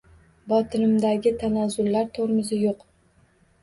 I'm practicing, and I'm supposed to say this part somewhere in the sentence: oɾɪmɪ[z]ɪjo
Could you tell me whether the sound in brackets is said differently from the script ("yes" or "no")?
no